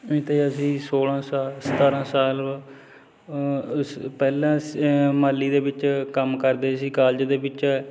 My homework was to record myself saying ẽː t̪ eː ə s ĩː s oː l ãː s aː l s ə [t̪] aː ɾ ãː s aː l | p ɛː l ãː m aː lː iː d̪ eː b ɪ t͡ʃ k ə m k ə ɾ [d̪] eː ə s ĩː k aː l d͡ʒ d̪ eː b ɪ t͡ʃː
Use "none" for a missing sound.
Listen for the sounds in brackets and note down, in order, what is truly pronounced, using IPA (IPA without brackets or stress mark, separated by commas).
t̪, d̪